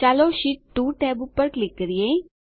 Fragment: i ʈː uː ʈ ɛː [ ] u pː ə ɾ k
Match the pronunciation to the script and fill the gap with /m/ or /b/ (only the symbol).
b